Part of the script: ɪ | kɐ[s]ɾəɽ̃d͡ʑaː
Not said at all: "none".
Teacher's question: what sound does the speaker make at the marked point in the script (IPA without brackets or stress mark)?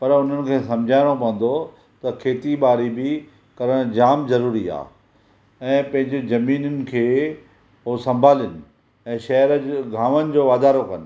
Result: none